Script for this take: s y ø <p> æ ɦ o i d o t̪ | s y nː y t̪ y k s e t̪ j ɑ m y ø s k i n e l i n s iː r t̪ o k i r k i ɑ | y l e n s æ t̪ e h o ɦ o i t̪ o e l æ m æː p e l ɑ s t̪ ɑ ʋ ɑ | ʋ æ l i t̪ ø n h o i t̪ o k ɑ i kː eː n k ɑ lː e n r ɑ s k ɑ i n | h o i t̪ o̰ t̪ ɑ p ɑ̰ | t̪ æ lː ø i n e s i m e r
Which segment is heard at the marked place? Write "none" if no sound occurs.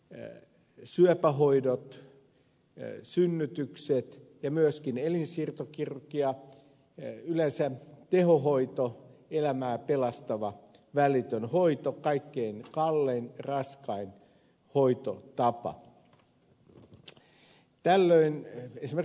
p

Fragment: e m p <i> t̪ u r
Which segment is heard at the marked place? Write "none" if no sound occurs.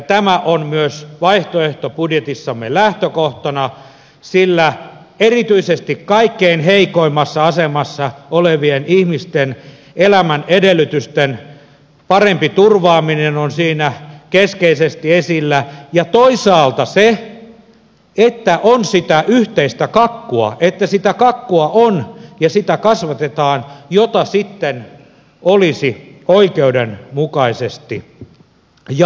i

